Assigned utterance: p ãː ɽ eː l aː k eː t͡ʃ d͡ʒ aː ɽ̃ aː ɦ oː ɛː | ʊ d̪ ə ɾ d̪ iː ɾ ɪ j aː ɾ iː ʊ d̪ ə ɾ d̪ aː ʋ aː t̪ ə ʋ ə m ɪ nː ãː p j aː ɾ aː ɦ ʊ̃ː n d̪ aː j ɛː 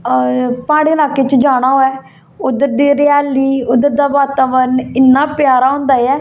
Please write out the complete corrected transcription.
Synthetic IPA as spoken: p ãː ɽ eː l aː k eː t͡ʃ d͡ʒ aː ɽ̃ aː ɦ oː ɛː | ʊ d̪ ə ɾ d̪ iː ɾ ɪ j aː l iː ʊ d̪ ə ɾ d̪ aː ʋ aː t̪ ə ʋ ə n ɪ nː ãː p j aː ɾ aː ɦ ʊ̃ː n d̪ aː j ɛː

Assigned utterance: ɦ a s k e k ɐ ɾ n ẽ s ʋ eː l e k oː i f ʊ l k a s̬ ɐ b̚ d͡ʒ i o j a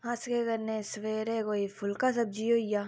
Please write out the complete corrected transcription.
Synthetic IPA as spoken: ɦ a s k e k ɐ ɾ n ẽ s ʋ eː ɾ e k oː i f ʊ l k a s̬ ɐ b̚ d͡ʒ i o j a

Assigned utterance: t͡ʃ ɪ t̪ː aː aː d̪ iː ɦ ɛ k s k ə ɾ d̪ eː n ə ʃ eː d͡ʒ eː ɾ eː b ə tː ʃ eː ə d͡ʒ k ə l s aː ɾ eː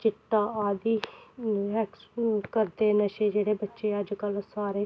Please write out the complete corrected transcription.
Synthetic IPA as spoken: t͡ʃ ɪ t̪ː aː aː d̪ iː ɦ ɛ k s k ə ɾ d̪ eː n ə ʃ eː d͡ʒ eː ɽ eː b ə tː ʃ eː ə d͡ʒ k ə l s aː ɾ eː

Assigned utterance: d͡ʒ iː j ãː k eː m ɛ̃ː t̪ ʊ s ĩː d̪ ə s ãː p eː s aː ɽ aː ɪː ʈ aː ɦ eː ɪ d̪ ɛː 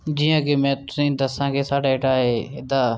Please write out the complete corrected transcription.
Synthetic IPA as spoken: d͡ʒ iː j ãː k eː m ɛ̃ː t̪ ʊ s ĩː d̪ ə s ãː k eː s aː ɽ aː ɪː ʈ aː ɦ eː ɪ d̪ aː

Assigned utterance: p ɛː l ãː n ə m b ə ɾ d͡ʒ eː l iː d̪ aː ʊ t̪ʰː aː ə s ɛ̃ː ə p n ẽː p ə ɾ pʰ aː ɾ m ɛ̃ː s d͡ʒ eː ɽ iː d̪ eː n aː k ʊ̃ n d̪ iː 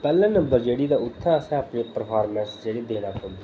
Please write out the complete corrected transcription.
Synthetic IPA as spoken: p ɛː l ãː n ə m b ə ɾ d͡ʒ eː ɽ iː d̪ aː ʊ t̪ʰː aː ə s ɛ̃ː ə p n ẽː p ə ɾ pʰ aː ɾ m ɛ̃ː s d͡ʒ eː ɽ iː d̪ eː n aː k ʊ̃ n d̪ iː

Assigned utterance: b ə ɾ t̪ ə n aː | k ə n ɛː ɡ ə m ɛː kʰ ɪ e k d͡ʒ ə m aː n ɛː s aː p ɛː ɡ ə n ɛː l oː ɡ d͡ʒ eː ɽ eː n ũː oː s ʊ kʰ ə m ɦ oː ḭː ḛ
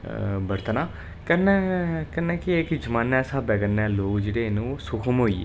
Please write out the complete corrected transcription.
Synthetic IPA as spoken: b ə ɾ t̪ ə n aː | k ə n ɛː k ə n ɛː k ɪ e k d͡ʒ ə m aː n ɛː s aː b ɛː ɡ ə n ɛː l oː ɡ d͡ʒ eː ɽ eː n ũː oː s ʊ kʰ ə m ɦ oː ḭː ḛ

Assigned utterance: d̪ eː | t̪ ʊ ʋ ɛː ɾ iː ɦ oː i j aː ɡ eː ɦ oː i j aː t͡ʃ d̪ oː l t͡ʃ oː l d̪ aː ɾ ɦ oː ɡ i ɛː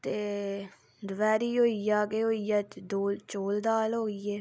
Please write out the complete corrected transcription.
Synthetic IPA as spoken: t̪ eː | d̪ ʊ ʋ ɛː ɾ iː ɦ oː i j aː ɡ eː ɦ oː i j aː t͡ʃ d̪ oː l t͡ʃ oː l d̪ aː l ɦ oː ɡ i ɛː

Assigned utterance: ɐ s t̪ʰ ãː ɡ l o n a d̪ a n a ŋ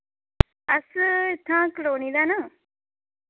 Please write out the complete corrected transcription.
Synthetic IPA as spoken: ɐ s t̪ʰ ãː k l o n i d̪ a n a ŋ

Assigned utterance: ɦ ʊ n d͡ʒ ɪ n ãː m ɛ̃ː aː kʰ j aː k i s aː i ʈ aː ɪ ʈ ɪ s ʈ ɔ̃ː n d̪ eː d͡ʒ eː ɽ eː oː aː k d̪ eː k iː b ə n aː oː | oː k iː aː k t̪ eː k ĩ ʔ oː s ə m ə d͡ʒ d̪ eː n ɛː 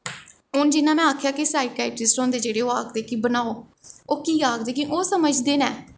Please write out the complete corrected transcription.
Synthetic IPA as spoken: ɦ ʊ n d͡ʒ ɪ n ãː m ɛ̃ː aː kʰ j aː k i s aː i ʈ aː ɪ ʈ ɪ s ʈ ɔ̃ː n d̪ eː d͡ʒ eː ɽ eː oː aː k d̪ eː k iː b ə n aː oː | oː k iː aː k d̪ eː k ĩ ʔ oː s ə m ə d͡ʒ d̪ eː n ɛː

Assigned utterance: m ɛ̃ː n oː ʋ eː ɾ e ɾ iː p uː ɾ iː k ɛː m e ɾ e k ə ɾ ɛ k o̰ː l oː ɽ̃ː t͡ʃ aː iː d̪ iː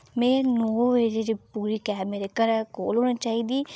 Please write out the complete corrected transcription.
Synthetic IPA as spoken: m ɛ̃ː n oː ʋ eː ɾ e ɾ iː p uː ɾ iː k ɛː m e ɾ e k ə ɾ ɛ k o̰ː l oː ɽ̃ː t͡ʃ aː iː d̪ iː

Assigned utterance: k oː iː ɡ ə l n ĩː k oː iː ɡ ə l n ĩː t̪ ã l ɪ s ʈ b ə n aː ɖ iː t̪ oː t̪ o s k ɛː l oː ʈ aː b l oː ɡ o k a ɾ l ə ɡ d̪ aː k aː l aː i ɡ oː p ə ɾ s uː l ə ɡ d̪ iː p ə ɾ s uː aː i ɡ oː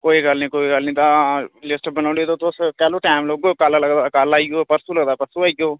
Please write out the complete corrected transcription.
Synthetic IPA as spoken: k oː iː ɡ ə l n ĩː k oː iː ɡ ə l n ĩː t̪ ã l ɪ s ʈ b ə n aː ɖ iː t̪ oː t̪ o s k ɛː l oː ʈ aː m l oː ɡ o k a l l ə ɡ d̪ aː k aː l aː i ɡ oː p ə ɾ s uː l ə ɡ d̪ aː p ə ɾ s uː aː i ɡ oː

